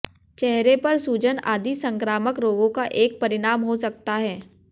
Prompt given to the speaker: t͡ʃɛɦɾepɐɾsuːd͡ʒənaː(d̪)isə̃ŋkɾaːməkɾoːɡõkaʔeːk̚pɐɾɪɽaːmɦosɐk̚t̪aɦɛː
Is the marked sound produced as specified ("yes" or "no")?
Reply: yes